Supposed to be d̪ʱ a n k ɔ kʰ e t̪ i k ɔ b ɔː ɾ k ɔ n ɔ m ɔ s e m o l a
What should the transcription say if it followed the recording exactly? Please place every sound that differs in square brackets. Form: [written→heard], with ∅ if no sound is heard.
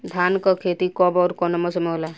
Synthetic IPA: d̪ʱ a n k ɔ kʰ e t̪ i k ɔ b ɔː ɾ k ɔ n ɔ m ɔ s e m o l a